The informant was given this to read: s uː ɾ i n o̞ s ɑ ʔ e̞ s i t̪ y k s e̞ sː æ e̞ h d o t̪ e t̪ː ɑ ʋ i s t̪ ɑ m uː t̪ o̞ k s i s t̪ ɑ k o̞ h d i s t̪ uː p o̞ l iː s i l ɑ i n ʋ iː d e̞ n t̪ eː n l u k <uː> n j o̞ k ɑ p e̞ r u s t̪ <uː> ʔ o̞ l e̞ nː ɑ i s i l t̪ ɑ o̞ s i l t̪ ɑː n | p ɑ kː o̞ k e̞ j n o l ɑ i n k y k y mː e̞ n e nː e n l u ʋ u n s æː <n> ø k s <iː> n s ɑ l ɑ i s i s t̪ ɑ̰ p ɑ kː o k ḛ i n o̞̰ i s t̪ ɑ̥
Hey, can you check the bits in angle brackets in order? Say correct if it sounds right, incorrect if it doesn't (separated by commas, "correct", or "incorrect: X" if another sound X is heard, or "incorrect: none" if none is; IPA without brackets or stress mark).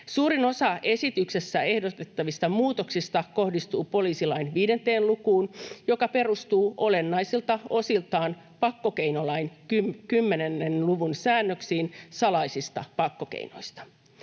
correct, correct, incorrect: nː, correct